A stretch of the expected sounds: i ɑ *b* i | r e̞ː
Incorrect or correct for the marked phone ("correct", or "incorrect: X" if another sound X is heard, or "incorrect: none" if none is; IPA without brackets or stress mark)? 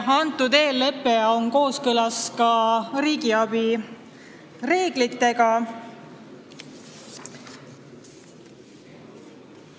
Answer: correct